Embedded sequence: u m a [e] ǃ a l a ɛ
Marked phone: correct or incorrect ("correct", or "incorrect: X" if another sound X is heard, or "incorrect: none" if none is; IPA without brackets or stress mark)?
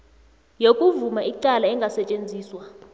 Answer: incorrect: i